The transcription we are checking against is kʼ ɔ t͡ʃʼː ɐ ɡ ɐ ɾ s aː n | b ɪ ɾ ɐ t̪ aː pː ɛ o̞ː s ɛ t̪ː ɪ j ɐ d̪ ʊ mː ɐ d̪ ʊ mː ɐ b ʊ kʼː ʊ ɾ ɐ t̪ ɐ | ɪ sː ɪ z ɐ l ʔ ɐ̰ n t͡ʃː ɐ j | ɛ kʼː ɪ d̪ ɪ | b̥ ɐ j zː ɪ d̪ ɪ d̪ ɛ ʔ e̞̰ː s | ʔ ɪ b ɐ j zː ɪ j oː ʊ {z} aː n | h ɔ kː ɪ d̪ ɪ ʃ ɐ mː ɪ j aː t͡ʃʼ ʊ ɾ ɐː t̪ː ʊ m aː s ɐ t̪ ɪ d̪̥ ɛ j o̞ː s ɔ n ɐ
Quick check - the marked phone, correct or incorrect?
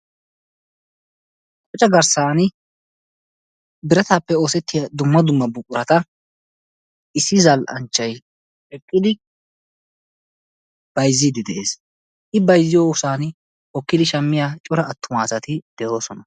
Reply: incorrect